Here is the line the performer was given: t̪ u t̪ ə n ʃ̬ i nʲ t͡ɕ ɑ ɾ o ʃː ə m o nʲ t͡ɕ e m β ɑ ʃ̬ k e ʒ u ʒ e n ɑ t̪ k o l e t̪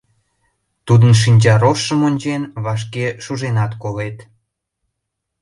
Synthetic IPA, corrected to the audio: t̪ u d̪ ə n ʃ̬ i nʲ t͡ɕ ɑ ɾ o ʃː ə m o nʲ t͡ɕ e n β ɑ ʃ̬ k e ʃ u ʒ e n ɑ t̪ k o l e t̪